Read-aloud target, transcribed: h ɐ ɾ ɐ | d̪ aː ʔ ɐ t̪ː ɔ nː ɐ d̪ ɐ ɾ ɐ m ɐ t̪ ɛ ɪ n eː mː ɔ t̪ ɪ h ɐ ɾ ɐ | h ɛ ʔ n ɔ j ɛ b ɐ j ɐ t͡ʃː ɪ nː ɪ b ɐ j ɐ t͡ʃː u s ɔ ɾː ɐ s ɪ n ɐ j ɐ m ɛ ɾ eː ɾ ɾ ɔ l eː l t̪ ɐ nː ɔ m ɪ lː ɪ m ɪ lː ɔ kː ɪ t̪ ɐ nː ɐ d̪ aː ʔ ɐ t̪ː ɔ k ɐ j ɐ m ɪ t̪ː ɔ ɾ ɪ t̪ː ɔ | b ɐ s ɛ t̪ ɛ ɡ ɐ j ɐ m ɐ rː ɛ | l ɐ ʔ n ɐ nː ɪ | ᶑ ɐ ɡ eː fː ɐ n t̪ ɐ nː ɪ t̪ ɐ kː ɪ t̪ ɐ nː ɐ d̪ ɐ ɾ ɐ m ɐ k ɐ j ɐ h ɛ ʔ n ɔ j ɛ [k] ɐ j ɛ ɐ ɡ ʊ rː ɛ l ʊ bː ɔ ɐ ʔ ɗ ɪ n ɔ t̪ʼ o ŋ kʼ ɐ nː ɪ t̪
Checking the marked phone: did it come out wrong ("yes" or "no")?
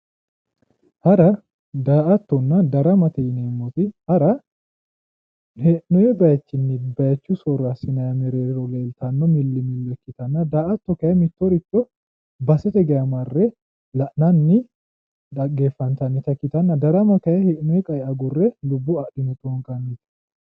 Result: yes